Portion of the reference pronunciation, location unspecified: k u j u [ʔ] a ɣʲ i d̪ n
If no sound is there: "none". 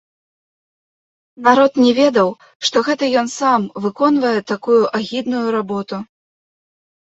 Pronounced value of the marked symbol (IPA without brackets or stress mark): ʔ